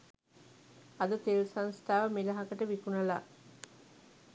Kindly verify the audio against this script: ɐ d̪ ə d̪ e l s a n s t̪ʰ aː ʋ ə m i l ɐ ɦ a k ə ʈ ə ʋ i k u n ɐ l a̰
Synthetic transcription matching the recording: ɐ d̪ ə t̪ e l s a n s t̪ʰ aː ʋ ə m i l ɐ ɦ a k ə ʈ ə ʋ i k u n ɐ l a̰